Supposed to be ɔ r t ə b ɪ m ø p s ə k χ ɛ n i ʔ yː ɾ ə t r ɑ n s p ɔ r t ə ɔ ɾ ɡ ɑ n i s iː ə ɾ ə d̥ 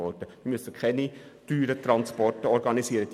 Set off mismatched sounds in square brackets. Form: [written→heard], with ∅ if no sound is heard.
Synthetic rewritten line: ɔ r t ə [b→m] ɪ m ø [p→∅] s ə k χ ɛ n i [ʔ→t] yː ɾ ə t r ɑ n s p ɔ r t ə ɔ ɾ ɡ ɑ n i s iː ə ɾ ə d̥